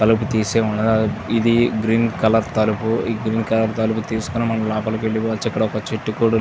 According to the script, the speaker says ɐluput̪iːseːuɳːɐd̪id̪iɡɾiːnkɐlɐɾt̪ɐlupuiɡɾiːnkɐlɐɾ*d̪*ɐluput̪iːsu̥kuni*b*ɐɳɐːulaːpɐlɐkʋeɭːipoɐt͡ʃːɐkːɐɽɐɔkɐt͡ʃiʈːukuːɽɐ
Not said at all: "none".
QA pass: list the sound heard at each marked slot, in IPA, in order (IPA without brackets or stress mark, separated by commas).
t̪, m